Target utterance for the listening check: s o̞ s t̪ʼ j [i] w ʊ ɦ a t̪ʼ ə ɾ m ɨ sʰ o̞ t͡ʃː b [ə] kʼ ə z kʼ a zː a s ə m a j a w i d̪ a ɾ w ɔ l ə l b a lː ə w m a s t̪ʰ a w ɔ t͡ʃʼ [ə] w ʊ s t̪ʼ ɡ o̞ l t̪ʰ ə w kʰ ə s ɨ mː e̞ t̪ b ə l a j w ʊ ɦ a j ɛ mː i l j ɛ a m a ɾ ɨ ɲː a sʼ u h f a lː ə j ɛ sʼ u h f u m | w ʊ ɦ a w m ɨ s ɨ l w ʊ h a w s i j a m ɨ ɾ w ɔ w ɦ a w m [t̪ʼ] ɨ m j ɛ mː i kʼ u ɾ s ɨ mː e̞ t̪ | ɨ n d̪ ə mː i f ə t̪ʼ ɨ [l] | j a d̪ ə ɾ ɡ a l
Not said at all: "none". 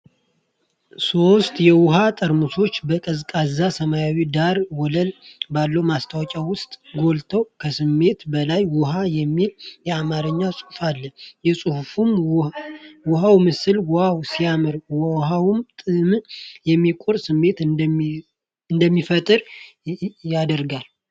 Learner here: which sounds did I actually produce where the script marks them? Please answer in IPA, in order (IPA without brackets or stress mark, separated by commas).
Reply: ɛ, ə, a, t̪ʼ, ɾ